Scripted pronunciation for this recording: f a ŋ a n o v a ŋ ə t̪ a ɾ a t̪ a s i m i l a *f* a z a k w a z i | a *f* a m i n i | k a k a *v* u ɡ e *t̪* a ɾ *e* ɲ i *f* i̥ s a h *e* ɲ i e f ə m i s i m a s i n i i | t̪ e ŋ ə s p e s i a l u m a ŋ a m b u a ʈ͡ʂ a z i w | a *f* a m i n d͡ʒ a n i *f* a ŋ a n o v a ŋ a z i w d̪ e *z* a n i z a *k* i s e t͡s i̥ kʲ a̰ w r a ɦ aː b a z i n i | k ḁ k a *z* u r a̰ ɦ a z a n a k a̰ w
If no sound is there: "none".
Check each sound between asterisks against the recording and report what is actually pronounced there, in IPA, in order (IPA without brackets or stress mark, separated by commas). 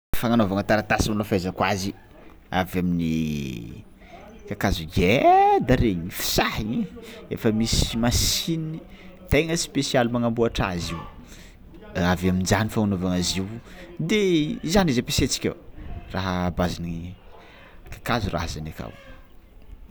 f, v, z, d̪, e, f, i, v, f, z, p, z